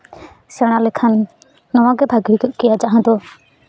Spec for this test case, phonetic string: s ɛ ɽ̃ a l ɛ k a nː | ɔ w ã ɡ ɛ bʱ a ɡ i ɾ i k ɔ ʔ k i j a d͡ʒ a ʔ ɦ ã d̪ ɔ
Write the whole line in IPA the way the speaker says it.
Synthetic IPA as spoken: s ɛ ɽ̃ a l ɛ kʰ a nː | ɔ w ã ɡ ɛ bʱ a ɡ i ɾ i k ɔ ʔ k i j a d͡ʒ a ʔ ɦ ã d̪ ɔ

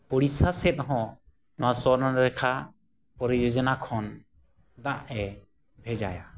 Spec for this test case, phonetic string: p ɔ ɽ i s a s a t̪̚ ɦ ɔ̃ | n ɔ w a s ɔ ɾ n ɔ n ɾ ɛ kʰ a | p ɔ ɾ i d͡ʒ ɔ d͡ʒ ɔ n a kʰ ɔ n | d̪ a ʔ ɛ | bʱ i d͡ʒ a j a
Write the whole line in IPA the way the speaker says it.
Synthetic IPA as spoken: p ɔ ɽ i s a s ɛ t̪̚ ɦ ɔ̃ | n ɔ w a s ɔ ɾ n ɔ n ɾ ɛ kʰ a | p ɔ ɾ i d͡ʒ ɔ d͡ʒ ɔ n a kʰ ɔ n | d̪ a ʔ ɛ | bʱ ɛ d͡ʒ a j a

